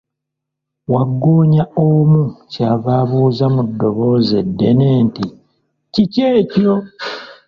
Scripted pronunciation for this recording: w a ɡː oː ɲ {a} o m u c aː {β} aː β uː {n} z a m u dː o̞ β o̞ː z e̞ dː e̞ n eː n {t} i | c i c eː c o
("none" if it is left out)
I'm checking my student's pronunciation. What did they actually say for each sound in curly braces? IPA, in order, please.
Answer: a, β, none, t

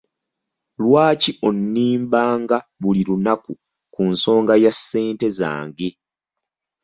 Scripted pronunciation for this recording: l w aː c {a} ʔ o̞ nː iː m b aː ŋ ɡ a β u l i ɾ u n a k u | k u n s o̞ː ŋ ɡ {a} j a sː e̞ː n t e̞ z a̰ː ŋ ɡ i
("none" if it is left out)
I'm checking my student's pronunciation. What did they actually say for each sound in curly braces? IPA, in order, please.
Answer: i, a

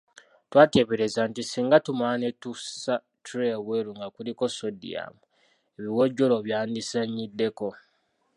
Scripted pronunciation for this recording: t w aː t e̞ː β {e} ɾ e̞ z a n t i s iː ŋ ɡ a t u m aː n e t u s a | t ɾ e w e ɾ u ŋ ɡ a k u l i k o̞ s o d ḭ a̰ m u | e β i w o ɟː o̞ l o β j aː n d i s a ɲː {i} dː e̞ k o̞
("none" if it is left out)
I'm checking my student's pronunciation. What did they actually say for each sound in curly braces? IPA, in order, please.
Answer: e, i

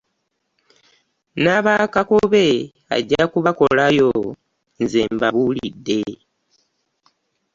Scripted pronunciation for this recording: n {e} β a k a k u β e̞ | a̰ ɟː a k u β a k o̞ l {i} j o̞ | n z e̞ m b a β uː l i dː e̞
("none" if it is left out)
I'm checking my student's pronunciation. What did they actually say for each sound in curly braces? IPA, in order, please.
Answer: a, a

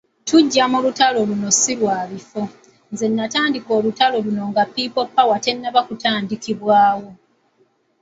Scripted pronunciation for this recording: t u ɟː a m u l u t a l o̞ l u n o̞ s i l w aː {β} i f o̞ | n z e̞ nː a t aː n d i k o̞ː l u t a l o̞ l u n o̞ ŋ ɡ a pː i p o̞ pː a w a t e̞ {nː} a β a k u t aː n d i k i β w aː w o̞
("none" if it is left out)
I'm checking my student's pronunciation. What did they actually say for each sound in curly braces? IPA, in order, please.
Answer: β, nː

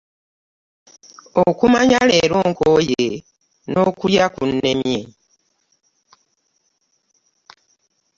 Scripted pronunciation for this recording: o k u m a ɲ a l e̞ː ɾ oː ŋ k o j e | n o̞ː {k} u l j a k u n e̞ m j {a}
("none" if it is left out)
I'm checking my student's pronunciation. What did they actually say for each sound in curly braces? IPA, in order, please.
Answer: k, e

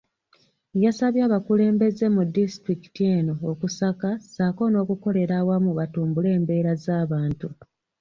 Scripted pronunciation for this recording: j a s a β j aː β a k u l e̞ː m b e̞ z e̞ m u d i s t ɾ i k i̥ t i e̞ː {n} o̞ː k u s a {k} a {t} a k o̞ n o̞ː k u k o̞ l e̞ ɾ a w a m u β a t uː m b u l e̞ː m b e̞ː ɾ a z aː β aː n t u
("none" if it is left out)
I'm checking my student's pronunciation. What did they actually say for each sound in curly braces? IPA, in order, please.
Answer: n, k, s

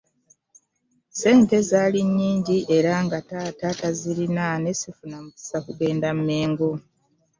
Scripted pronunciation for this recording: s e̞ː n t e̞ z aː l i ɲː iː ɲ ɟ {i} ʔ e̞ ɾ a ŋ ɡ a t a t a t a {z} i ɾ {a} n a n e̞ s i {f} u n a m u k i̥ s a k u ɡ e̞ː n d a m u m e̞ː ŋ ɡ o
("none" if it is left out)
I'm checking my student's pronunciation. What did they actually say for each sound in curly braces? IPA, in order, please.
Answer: i, z, i, f

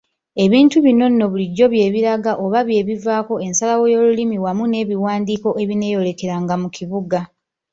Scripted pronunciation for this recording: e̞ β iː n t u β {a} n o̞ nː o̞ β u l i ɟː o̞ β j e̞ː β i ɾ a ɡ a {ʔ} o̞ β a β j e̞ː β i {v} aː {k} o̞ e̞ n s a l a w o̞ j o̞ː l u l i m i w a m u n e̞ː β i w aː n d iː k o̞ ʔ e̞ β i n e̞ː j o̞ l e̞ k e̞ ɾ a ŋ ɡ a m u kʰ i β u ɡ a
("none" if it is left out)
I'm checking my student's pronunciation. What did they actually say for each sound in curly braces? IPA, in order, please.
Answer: i, ʔ, v, k

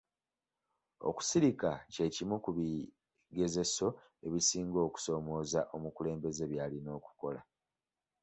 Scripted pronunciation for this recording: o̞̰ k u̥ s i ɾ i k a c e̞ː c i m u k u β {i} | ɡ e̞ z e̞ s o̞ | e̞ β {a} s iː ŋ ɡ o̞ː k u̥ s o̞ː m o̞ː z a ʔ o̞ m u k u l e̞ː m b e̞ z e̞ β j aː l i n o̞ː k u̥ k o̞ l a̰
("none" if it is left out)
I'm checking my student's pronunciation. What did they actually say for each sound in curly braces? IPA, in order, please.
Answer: i, i

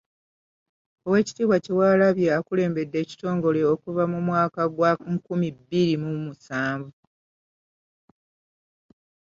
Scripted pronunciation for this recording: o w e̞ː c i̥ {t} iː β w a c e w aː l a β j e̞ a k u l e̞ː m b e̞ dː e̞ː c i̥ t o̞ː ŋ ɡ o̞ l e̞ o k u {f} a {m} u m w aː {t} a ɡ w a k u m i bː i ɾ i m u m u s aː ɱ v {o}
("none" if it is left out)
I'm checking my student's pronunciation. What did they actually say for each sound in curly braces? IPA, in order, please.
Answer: t, v, m, k, u

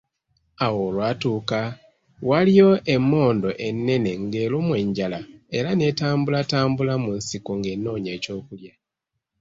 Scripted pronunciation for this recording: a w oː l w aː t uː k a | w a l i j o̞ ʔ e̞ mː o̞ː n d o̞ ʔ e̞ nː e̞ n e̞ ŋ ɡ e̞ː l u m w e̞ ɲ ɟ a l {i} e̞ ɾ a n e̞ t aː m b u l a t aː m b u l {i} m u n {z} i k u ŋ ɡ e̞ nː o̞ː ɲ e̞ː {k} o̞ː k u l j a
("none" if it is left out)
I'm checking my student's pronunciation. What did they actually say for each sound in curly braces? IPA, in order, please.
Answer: a, a, s, c

